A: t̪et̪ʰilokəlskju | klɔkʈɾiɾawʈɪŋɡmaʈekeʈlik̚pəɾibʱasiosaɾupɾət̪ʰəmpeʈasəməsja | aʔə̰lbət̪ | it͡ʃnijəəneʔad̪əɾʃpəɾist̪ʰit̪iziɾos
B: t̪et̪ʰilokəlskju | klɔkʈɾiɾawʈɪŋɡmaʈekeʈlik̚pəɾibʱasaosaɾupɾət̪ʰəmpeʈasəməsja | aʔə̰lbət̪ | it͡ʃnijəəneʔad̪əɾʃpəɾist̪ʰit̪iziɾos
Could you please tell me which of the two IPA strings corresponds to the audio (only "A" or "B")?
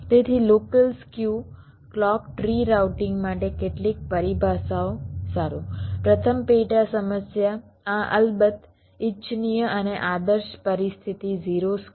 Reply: B